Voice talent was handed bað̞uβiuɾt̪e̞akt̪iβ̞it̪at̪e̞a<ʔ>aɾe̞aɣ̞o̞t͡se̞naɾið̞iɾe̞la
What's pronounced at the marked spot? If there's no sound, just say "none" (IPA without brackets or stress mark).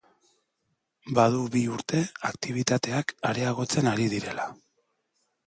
k